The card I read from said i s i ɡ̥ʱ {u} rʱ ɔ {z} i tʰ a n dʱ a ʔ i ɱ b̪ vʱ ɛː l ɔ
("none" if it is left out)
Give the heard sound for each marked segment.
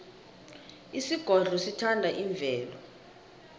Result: ɔ, s

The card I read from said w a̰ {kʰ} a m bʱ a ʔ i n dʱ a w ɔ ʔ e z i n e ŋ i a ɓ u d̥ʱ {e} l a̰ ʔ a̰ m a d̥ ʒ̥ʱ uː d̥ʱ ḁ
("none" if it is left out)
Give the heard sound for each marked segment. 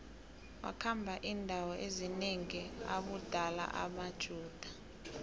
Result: kʰ, a

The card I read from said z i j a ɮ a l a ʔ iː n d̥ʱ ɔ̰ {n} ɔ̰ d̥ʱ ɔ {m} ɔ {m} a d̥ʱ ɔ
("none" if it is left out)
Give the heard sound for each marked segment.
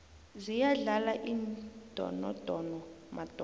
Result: n, n, m

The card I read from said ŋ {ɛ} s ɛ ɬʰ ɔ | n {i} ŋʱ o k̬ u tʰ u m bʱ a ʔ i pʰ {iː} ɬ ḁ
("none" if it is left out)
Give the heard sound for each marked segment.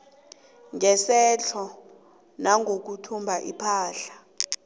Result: ɛ, a, aː

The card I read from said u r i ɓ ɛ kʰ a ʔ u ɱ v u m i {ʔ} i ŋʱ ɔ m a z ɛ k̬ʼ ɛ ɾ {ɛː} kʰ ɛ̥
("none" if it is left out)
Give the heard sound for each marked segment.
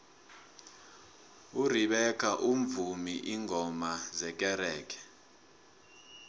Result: ʔ, ɛː

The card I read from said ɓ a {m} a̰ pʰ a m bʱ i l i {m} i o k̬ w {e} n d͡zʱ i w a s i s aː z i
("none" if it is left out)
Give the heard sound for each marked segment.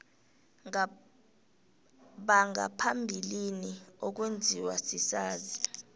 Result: ŋ, n, e

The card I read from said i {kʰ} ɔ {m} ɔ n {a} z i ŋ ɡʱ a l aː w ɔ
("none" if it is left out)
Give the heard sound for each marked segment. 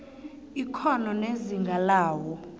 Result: kʰ, n, e

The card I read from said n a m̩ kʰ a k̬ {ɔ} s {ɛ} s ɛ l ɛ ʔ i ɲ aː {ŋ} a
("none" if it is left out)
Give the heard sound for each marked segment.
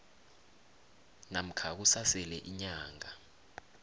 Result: u, a, ŋ

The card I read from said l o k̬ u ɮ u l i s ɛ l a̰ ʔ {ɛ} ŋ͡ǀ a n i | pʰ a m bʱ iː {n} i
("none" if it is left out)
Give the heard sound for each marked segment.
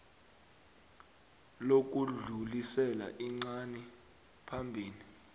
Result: i, n

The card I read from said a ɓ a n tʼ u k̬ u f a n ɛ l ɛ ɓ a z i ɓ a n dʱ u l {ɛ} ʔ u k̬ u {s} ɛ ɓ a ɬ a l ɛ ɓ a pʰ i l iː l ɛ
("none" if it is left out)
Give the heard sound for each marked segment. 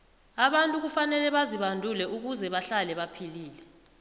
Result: ɛ, z

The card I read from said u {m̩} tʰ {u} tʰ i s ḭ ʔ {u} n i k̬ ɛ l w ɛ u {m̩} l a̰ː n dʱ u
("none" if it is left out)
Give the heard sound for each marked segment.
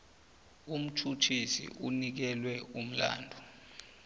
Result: m̩, u, u, m̩

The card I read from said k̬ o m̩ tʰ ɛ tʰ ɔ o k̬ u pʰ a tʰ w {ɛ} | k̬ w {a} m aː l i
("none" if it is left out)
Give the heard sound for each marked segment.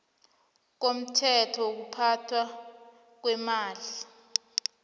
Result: a, ɛ

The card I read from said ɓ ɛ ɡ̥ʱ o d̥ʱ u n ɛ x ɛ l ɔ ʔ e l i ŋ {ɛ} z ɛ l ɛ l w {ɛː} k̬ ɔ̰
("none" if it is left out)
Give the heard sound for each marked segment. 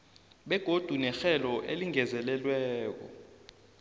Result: ɛ, ɛː

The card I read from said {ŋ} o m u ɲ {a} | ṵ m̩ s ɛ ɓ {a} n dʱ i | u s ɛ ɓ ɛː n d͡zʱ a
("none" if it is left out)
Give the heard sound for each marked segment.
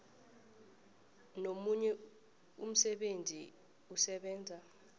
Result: n, ɛ, e

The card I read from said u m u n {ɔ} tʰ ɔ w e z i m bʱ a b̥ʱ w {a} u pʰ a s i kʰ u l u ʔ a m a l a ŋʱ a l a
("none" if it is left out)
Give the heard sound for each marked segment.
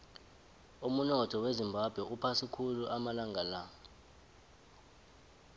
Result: ɔ, ɛ

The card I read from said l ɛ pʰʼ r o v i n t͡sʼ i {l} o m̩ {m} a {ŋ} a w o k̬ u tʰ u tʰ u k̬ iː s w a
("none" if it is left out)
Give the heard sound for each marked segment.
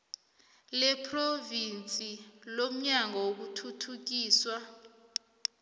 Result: l, ɲ, ŋ

